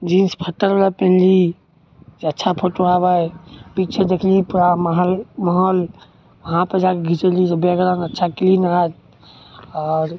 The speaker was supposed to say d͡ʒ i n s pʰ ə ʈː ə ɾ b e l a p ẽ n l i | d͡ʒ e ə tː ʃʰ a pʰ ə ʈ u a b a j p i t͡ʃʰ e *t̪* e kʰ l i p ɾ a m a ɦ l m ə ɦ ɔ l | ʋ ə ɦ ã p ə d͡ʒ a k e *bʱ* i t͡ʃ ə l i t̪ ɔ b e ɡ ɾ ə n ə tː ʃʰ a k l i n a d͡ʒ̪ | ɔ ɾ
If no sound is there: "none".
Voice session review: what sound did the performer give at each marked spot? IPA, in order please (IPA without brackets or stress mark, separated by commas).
d̪, ɡʱ